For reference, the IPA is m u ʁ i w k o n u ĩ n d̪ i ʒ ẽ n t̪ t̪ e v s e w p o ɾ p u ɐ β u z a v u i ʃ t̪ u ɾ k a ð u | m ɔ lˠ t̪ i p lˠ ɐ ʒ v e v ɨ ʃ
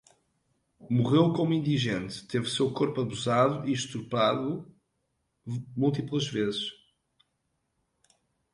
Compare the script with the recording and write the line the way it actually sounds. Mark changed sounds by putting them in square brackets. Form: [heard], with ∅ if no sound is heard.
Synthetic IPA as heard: m u ʁ [e] w k o [m] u ĩ n d̪ i ʒ ẽ n t̪ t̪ e v s e w [k] o ɾ p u ɐ β u z a [ð] u i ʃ t̪ u ɾ [p] a ð u | m [u] lˠ t̪ i p lˠ ɐ ʒ v e [z] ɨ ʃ